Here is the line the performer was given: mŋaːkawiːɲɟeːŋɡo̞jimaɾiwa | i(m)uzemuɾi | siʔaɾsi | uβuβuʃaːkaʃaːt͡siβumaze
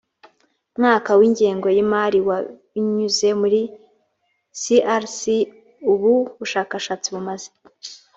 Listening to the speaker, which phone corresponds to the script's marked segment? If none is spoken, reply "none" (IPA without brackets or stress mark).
ɲ